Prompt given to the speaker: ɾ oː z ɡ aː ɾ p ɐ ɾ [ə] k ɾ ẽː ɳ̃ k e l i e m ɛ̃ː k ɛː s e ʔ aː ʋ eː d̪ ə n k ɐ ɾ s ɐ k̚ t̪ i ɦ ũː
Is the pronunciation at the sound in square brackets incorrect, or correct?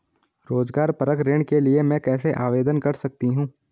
correct